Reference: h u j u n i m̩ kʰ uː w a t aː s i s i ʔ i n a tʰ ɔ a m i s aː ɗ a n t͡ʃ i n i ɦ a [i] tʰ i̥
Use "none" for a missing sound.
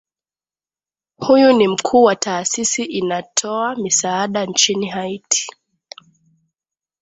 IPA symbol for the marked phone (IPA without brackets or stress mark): i